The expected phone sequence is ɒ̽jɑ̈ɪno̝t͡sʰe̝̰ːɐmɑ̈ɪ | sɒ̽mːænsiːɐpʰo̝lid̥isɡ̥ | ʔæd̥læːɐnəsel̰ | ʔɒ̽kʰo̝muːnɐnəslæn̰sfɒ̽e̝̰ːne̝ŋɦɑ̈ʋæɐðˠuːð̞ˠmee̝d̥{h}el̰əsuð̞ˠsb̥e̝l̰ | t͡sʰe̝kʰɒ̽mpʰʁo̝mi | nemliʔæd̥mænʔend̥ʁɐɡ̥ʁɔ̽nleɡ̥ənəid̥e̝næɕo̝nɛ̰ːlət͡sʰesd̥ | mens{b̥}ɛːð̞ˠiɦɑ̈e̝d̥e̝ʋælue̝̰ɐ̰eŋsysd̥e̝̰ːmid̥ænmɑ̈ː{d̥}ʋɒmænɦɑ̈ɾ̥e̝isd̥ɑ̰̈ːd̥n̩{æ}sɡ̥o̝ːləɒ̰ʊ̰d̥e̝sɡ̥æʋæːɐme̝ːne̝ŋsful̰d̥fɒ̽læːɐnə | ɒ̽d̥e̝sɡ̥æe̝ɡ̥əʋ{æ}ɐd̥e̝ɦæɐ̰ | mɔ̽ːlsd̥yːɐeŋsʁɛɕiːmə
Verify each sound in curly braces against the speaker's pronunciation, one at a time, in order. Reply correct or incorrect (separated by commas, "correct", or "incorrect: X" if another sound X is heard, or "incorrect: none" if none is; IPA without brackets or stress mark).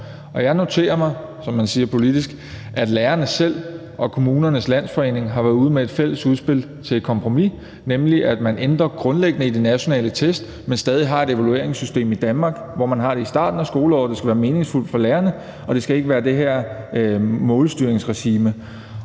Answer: incorrect: f, incorrect: d̥, incorrect: ɡ̥, correct, incorrect: æː